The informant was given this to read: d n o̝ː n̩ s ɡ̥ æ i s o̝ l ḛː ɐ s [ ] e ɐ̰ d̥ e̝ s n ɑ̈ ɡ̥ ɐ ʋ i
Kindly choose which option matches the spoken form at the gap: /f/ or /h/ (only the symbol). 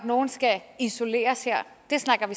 h